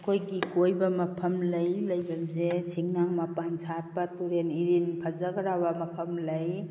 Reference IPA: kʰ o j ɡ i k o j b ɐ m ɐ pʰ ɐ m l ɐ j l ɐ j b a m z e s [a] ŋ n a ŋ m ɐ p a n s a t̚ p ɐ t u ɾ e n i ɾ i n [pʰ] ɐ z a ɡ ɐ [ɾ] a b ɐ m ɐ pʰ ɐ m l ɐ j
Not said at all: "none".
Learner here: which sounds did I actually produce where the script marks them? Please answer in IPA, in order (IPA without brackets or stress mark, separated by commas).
i, pʰ, ɾ